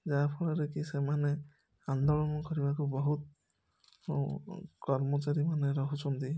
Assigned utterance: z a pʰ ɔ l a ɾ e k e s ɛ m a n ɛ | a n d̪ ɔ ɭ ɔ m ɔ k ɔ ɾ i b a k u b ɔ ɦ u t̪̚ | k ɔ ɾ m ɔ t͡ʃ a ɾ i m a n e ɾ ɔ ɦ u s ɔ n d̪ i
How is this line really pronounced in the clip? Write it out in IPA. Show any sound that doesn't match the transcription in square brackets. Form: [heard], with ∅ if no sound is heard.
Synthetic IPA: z a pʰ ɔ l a ɾ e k [i] s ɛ m a n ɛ | a n d̪ ɔ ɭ ɔ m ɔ k ɔ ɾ i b a k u b ɔ ɦ u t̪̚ | k ɔ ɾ m ɔ t͡ʃ a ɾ i m a n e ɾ ɔ ɦ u s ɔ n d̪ i